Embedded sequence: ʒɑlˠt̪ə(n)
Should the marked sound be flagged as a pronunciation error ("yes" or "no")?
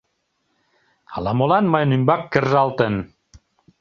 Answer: no